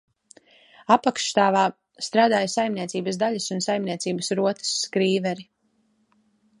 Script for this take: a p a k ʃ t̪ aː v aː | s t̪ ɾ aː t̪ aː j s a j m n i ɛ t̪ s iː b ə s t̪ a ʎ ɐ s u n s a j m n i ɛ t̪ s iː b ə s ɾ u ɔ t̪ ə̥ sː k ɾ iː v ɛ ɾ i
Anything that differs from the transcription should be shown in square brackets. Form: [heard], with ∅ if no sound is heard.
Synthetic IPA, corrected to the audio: a p a k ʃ t̪ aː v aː | s t̪ ɾ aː [d̪] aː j s a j m n i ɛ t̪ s iː b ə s [d̪] a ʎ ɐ s u n s a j m n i ɛ t̪ s iː b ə s ɾ u ɔ t̪ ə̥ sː k ɾ iː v ɛ ɾ i